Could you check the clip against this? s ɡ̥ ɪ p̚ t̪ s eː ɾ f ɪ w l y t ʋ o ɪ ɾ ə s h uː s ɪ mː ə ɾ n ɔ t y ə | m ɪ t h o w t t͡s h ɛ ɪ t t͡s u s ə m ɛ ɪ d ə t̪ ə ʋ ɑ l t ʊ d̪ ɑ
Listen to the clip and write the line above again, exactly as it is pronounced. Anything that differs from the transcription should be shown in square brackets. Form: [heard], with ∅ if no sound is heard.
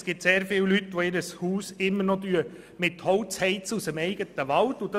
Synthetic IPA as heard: s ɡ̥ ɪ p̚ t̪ s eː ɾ f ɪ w l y t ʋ o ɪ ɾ ə s h uː s ɪ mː ə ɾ n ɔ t y ə | m ɪ t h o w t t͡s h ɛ ɪ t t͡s u s ə m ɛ ɪ [ɡ] ə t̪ ə ʋ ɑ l t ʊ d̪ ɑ